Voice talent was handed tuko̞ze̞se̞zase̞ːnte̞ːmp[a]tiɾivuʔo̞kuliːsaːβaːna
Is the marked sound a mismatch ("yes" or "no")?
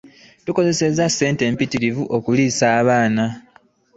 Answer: yes